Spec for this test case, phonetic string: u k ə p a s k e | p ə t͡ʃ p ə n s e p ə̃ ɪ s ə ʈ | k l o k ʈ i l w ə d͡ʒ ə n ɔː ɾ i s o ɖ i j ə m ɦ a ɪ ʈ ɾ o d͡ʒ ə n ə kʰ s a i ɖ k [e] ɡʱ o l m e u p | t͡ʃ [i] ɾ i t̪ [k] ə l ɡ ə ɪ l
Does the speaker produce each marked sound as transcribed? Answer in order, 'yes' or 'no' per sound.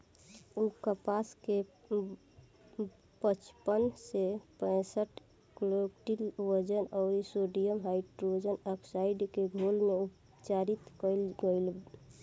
yes, no, yes

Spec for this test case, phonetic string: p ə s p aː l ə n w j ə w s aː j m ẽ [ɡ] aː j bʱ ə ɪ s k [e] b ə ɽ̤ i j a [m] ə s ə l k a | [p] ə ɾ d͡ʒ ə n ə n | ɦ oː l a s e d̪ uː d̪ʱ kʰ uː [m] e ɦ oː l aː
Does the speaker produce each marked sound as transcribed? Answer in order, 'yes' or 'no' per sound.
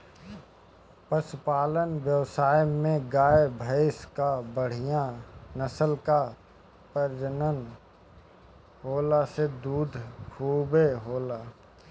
yes, no, no, yes, no

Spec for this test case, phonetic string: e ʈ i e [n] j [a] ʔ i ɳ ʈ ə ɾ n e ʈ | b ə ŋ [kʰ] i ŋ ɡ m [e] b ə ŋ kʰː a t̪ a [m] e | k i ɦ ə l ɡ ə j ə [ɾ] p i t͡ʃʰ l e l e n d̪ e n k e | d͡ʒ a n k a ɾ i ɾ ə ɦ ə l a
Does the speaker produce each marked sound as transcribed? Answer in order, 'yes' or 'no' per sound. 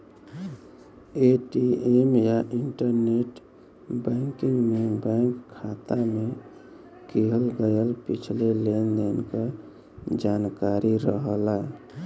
no, yes, no, yes, yes, no

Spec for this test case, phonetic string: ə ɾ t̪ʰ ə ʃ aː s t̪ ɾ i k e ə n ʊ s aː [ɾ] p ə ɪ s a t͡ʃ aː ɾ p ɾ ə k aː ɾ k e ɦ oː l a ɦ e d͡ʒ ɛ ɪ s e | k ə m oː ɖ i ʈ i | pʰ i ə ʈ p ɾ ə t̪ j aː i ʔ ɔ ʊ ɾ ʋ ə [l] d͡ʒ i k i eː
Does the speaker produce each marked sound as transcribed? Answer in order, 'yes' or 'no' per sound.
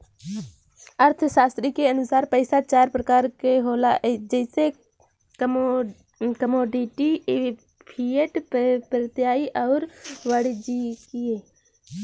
yes, no

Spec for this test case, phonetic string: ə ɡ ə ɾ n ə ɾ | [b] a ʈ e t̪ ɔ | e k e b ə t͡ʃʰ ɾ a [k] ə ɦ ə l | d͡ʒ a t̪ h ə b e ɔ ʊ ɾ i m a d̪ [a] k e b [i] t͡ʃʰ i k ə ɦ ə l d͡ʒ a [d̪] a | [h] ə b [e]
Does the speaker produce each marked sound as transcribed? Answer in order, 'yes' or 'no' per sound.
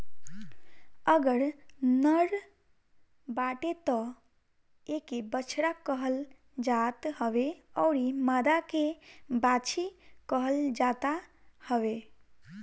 yes, yes, yes, no, no, yes, yes

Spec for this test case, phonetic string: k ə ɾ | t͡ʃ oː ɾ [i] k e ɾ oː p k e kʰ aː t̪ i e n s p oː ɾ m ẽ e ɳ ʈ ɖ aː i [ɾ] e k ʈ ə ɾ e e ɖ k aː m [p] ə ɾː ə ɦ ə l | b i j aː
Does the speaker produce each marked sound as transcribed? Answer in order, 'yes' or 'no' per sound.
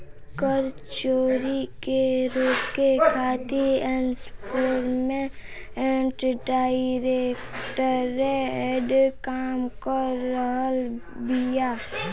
yes, yes, no

